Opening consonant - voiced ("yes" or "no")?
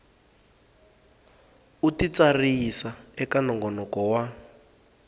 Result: no